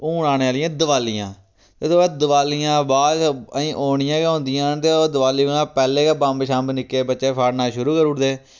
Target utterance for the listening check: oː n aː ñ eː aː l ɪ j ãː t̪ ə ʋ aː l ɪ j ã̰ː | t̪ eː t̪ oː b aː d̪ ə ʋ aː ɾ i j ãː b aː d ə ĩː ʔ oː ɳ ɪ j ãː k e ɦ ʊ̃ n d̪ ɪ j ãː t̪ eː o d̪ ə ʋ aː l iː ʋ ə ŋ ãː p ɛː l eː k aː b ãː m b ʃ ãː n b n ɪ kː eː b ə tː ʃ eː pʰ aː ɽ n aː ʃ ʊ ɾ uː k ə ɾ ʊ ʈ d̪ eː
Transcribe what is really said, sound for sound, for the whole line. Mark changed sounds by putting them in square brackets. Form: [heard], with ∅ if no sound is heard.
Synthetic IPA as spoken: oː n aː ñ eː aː l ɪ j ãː [d̪] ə ʋ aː l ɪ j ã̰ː | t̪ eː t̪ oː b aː d̪ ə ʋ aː [l] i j ãː b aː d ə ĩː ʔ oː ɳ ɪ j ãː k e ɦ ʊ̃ n d̪ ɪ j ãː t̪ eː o d̪ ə ʋ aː l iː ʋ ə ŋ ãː p ɛː l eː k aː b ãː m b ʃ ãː [m] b n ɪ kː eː b ə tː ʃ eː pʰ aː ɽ n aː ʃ ʊ ɾ uː k ə ɾ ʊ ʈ d̪ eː

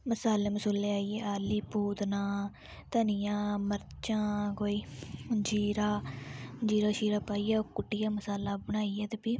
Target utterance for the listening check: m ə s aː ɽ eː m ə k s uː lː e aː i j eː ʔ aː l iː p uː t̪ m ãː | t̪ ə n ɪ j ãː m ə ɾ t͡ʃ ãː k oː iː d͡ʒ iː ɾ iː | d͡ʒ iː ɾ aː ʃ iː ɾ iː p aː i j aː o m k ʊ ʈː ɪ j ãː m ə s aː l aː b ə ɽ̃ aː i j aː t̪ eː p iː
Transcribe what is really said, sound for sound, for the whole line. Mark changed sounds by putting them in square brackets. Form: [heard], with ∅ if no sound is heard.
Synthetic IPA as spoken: m ə s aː [l] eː m ə [∅] s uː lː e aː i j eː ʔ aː l iː p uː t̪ [n] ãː | t̪ ə n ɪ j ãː m ə ɾ t͡ʃ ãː k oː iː d͡ʒ iː ɾ [aː] | d͡ʒ iː ɾ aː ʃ iː ɾ [aː] p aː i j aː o [∅] k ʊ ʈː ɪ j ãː m ə s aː l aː b ə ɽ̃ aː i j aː t̪ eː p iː

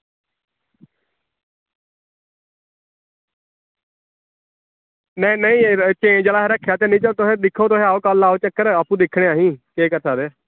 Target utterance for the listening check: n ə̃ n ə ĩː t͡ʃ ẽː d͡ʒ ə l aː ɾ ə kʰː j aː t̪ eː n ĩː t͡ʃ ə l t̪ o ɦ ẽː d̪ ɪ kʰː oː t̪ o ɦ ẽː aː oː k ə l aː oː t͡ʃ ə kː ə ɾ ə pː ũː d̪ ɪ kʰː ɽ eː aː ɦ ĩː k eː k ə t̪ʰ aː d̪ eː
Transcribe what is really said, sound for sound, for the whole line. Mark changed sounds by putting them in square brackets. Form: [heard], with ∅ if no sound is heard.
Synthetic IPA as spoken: n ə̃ n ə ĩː t͡ʃ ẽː d͡ʒ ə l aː ɾ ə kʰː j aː t̪ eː n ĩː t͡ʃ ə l t̪ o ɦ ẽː d̪ ɪ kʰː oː t̪ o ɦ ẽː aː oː k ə l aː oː t͡ʃ ə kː ə ɾ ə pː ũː d̪ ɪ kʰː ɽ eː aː ɦ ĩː k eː k ə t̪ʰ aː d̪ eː

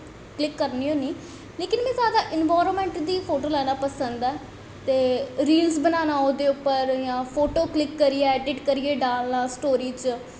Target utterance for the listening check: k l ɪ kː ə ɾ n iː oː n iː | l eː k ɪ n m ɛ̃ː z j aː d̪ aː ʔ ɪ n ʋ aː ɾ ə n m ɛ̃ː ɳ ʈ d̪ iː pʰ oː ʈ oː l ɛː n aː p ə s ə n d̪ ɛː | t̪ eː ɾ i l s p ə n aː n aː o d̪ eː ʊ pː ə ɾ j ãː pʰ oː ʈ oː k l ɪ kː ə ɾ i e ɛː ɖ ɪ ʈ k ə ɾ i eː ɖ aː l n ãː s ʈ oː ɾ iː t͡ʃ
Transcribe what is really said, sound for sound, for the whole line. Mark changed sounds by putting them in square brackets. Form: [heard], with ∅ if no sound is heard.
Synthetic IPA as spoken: k l ɪ kː ə ɾ n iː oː n iː | l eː k ɪ n m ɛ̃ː z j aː d̪ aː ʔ ɪ n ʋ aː ɾ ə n m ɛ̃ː ɳ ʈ d̪ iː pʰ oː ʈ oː l ɛː n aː p ə s ə n d̪ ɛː | t̪ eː ɾ [iː] l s [b] ə n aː n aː o d̪ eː ʊ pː ə ɾ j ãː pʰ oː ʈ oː k l ɪ kː ə ɾ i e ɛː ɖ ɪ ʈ k ə ɾ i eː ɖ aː l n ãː s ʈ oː ɾ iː t͡ʃ

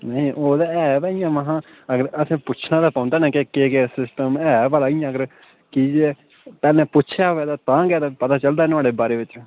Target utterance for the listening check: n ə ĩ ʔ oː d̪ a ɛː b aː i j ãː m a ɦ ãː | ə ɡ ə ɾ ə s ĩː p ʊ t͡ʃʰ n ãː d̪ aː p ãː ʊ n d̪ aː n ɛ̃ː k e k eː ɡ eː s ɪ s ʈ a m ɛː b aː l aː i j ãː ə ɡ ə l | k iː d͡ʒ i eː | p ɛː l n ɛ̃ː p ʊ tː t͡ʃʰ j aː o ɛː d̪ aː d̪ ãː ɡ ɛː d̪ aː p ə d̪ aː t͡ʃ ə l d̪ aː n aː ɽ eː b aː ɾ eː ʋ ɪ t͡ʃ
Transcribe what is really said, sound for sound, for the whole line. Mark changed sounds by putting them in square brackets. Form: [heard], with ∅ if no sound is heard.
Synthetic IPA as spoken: n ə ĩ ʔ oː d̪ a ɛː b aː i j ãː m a ɦ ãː | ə ɡ ə ɾ ə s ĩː p ʊ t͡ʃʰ n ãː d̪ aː p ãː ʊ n d̪ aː n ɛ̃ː k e k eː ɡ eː s ɪ s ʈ [ə] m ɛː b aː l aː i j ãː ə ɡ ə [ɾ] | k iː d͡ʒ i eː | p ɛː l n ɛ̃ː p ʊ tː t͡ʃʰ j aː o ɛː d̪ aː [t̪] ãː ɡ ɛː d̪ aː p ə [t̪] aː t͡ʃ ə l d̪ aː n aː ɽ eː b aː ɾ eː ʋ ɪ t͡ʃ

